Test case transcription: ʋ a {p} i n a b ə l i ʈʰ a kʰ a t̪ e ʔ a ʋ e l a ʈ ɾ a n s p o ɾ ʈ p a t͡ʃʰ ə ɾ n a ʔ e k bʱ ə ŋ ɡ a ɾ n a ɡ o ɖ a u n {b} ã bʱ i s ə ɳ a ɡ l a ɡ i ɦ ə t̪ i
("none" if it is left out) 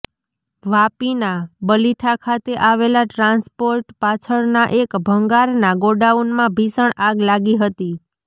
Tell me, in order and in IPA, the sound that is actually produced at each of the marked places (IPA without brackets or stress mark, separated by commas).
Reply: p, m